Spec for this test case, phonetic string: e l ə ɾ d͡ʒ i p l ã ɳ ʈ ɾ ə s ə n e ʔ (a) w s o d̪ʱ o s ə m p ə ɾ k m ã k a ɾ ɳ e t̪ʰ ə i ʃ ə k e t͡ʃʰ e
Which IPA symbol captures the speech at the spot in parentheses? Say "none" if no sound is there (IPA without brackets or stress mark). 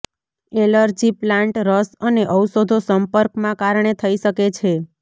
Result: ə